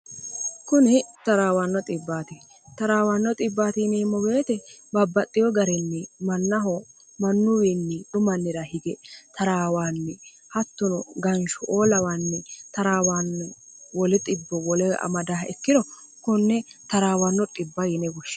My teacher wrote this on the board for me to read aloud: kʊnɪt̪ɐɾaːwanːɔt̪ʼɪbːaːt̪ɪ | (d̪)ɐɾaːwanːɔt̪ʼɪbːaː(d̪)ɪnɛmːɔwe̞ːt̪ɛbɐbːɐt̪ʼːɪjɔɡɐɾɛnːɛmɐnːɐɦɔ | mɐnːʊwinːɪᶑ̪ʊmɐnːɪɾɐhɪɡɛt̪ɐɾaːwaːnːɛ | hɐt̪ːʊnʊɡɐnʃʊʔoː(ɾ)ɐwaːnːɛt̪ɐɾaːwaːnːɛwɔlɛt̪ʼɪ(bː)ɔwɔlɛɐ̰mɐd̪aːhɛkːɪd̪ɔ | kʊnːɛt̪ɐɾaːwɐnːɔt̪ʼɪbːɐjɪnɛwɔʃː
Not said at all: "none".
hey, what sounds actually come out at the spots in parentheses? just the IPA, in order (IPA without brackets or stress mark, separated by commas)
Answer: t̪, t̪, l, bː